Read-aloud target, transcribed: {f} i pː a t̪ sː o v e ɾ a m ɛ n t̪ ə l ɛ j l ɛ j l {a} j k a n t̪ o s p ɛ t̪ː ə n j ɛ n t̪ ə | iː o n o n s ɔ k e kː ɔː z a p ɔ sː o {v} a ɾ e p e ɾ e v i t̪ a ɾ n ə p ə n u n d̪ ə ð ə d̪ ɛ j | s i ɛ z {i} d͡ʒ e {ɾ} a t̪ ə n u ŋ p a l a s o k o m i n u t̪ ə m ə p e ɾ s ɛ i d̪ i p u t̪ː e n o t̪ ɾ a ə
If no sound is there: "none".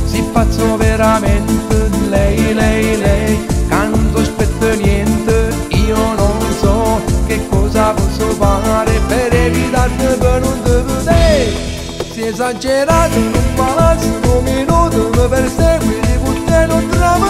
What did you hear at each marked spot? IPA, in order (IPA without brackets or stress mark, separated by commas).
s, ɛ, f, a, ɾ